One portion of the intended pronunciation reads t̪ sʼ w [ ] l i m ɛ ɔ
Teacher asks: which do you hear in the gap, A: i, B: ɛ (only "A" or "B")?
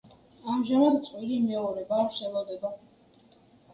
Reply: A